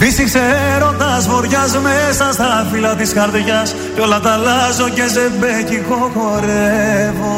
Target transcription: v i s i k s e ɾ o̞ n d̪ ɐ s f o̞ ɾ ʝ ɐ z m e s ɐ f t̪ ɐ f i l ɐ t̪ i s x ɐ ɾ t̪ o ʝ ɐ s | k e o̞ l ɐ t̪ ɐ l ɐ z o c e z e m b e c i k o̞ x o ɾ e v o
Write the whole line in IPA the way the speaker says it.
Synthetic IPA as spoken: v i s i k s e ɾ o̞ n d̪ ɐ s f o̞ ɾ ʝ ɐ z m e s ɐ s t̪ ɐ f i l ɐ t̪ i s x ɐ ɾ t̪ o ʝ ɐ s | c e o̞ l ɐ t̪ ɐ l ɐ z o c e z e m b e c i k o̞ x o ɾ e v o